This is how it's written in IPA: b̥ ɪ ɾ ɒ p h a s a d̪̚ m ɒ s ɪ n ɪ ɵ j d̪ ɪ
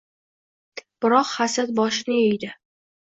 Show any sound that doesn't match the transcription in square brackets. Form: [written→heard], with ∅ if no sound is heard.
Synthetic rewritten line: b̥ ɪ ɾ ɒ [p→q] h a s a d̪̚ [m→b] ɒ [s→ʃ] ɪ n ɪ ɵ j d̪ ɪ